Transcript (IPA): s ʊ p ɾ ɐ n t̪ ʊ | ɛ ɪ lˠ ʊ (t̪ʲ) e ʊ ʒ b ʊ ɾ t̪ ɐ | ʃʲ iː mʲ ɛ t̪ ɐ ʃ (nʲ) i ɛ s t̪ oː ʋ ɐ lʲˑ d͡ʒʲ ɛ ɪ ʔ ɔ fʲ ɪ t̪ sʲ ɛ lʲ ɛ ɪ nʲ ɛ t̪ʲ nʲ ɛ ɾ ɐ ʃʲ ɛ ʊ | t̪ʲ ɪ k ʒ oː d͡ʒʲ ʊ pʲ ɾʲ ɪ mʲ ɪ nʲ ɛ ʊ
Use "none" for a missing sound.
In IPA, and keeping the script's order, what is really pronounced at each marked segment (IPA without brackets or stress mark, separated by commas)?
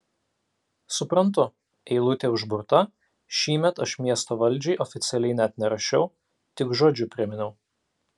t̪ʲ, mʲ